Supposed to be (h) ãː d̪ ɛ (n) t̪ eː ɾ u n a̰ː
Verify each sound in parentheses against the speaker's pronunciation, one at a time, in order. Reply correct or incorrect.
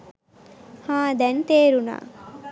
correct, correct

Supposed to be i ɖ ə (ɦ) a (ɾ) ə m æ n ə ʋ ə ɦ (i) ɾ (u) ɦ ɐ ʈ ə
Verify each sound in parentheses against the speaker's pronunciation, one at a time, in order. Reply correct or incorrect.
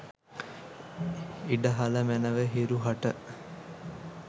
correct, incorrect, correct, correct

